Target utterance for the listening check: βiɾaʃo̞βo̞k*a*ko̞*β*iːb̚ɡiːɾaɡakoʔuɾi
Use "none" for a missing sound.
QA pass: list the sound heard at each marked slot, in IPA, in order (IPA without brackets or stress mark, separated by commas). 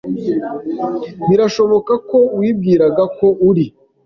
a, w